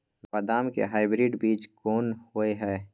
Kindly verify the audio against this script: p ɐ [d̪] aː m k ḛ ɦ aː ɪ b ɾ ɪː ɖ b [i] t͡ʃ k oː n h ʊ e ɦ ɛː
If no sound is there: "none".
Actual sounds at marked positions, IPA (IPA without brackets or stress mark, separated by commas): d̪, iː